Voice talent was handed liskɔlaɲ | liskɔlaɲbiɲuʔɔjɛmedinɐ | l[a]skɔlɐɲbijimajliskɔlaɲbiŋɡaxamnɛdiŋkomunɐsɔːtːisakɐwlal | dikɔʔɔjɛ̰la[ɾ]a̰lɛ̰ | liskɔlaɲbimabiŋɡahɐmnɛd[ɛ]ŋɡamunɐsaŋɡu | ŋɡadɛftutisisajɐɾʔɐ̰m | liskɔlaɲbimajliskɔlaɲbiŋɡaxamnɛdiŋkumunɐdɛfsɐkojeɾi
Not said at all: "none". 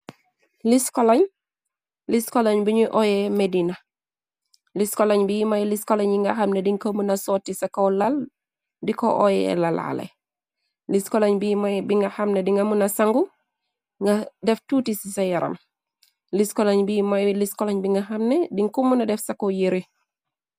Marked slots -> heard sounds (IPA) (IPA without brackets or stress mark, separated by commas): i, l, i